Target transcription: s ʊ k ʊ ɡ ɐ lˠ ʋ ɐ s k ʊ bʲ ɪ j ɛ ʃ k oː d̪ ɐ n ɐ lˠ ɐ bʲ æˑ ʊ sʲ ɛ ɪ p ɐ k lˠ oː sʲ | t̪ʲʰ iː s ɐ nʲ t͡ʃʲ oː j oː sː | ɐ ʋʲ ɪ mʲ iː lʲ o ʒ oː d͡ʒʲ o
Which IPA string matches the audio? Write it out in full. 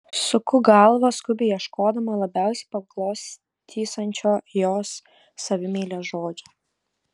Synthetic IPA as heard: s ʊ k ʊ ɡ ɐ lˠ ʋ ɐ s k ʊ bʲ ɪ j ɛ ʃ k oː d̪ ɐ m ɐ lˠ ɐ bʲ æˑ ʊ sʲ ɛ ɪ p ɐ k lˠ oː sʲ | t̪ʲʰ iː s ɐ nʲ t͡ʃʲ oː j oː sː | ɐ ʋʲ ɪ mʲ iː lʲ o ʒ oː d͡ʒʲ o